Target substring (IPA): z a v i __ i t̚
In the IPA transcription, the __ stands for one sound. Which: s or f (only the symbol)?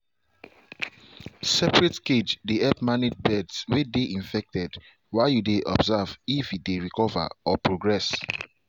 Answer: f